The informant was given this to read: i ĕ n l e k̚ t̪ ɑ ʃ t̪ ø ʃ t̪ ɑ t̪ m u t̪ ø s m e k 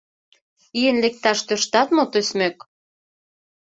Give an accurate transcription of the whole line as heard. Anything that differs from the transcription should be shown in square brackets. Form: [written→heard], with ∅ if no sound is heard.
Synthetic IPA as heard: i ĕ n l e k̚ t̪ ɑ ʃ t̪ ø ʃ t̪ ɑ t̪ m [u→o] t̪ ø s m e k